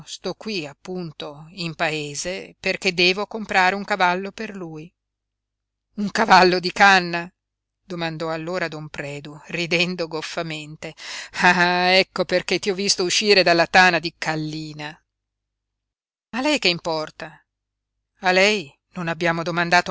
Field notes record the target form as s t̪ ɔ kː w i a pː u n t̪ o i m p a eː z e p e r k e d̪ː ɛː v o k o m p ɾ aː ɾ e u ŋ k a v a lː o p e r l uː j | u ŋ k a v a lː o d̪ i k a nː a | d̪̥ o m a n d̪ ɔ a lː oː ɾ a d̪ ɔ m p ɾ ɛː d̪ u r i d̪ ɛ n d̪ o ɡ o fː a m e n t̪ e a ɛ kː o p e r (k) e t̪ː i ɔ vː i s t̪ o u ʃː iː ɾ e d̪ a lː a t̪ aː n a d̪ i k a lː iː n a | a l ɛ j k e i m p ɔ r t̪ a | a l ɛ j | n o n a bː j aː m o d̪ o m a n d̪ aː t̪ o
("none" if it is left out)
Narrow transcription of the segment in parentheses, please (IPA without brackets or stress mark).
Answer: k